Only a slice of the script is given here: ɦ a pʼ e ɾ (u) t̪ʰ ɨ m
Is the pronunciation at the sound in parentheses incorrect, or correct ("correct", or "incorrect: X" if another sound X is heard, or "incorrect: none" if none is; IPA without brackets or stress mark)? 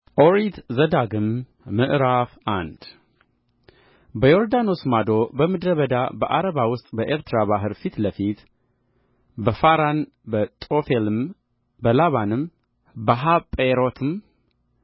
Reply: incorrect: o